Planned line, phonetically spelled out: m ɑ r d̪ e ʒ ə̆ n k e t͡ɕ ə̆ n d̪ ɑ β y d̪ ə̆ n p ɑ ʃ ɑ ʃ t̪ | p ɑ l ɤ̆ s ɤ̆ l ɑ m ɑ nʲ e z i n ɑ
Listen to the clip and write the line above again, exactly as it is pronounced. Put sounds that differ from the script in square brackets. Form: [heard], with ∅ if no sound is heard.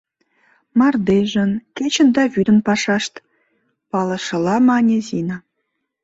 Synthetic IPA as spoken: m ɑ r d̪ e ʒ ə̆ n k e t͡ɕ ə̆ n d̪ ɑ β y d̪ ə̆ n p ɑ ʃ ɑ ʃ t̪ | p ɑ l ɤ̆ [ʃ] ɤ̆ l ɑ m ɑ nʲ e z i n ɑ